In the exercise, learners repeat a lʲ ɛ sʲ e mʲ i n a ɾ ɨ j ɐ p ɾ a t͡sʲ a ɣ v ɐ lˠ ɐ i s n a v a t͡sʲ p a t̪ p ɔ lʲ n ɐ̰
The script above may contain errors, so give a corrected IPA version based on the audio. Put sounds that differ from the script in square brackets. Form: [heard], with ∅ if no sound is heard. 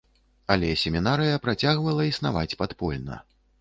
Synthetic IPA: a lʲ ɛ sʲ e mʲ i n a ɾ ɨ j ɐ p ɾ a t͡sʲ a ɣ v ɐ lˠ ɐ i s n a v a t͡sʲ p a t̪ p ɔ lʲ n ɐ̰